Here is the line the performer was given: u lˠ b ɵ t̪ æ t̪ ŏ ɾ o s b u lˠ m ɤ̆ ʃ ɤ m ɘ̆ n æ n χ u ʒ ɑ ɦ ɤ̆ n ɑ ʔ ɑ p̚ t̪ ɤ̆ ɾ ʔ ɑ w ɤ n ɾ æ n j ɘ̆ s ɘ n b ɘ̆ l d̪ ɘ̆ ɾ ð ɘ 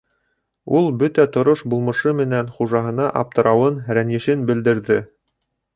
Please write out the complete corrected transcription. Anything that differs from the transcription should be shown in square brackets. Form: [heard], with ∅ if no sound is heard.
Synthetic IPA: u lˠ b ɵ t̪ æ t̪ ŏ ɾ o [ʃ] b u lˠ m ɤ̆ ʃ ɤ m ɘ̆ n æ n χ u ʒ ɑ ɦ ɤ̆ n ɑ ʔ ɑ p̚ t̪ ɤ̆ ɾ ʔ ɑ w ɤ n ɾ æ n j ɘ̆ [ʃ] ɘ n b ɘ̆ l d̪ ɘ̆ ɾ ð ɘ